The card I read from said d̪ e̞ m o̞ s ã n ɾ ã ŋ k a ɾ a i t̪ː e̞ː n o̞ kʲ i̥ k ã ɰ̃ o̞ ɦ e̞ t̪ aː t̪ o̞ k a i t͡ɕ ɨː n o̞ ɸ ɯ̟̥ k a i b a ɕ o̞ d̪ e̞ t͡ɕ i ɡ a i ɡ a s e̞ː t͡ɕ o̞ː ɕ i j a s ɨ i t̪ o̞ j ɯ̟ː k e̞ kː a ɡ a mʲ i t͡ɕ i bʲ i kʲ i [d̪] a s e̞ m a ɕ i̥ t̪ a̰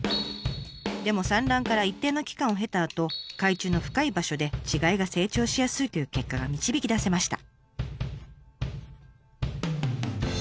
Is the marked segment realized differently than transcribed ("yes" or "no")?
no